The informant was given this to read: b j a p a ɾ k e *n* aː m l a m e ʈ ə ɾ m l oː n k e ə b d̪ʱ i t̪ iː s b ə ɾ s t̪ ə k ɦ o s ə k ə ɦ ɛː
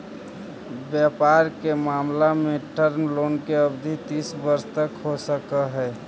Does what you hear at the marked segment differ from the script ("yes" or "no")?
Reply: yes